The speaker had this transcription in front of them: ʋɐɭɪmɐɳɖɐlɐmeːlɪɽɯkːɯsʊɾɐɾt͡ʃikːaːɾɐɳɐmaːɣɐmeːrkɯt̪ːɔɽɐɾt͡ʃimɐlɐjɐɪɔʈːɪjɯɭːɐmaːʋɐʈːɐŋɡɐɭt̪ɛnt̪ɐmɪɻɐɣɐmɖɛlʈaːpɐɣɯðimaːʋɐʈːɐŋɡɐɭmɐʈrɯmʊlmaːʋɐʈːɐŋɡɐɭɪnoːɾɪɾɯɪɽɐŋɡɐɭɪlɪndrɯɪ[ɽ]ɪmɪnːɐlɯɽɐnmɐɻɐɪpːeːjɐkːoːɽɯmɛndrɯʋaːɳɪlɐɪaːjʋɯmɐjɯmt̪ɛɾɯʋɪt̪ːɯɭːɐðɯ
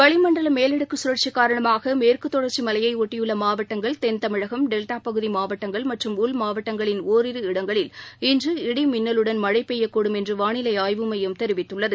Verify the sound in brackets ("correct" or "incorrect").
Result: correct